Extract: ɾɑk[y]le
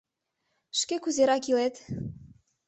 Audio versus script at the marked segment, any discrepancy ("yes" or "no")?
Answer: yes